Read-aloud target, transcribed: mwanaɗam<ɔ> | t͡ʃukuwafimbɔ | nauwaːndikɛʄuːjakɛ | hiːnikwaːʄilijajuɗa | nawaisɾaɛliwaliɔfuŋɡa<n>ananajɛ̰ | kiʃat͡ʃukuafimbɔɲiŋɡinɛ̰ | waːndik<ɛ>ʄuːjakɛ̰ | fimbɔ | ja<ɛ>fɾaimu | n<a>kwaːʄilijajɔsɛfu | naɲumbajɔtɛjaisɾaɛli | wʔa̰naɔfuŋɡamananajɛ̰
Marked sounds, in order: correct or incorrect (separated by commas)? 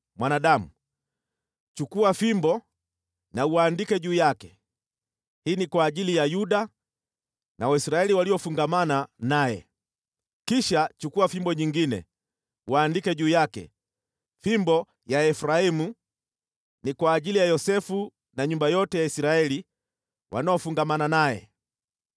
incorrect, incorrect, correct, correct, incorrect